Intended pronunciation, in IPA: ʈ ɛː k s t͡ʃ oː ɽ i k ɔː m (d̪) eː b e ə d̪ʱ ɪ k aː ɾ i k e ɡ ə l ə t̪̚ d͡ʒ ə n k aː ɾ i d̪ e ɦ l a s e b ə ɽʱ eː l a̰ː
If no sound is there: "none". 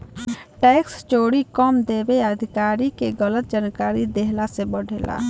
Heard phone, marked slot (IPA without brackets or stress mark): d̪